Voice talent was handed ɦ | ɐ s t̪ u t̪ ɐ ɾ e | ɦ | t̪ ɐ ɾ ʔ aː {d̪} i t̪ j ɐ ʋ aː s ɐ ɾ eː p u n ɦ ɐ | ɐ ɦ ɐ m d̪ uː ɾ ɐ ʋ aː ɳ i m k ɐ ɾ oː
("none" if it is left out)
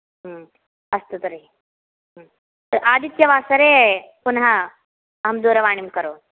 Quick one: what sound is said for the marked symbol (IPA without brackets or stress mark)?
d̪